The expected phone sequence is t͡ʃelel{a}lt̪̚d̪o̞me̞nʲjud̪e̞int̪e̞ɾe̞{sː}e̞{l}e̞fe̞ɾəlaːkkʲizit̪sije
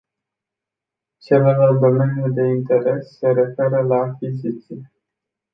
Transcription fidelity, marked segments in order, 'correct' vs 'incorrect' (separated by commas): correct, correct, incorrect